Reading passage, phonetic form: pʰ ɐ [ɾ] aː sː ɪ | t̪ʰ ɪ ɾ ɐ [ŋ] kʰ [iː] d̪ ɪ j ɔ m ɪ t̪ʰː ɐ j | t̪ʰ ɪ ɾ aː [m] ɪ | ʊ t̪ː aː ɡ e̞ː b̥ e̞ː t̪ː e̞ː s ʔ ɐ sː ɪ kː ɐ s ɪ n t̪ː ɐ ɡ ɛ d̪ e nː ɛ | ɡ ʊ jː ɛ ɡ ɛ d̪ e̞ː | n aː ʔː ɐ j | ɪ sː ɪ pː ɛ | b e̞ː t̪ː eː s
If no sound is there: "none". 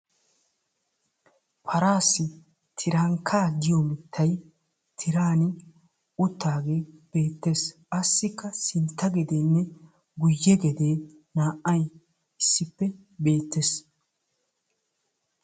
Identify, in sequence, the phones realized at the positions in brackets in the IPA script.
ɾ, ŋ, aː, n

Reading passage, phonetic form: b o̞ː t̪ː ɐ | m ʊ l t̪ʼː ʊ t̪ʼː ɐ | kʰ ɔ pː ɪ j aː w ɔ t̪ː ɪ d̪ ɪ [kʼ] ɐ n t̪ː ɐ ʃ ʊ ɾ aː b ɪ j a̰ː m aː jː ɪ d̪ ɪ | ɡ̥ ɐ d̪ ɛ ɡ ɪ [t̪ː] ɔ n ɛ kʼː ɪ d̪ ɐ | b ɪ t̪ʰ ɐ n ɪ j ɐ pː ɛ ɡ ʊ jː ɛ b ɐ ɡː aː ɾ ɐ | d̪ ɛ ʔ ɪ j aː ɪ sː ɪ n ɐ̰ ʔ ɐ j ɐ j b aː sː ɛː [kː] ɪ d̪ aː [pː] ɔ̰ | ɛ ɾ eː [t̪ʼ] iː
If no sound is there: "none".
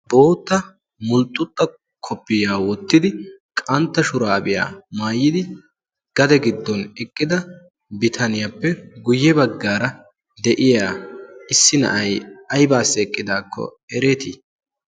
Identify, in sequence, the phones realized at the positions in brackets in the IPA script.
kʼ, d̪ː, kʼː, kː, t̪

